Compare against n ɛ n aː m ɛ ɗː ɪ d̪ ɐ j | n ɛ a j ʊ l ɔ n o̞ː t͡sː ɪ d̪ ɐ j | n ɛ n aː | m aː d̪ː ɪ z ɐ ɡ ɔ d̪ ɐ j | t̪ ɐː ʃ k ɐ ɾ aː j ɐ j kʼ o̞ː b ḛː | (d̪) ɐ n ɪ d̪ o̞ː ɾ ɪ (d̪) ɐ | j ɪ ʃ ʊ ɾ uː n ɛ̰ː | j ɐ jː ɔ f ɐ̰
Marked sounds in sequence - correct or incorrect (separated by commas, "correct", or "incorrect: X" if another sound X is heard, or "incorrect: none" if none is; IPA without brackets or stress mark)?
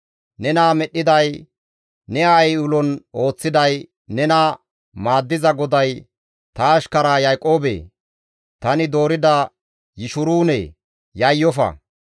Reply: incorrect: t̪, correct